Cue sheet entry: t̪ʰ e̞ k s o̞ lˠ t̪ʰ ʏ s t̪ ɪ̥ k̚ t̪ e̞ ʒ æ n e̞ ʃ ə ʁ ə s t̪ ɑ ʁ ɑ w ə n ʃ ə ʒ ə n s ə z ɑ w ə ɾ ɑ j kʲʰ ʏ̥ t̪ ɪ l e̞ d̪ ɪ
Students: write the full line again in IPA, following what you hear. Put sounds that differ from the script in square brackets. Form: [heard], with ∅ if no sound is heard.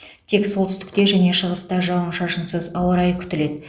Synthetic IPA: t̪ʰ e̞ k s o̞ lˠ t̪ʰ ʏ s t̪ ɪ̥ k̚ t̪ e̞ ʒ æ n e̞ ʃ ə ʁ ə s t̪ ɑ [ʒ] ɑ w ə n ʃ [ɑ] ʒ ə n s ə z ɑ w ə ɾ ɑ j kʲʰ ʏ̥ t̪ ɪ l e̞ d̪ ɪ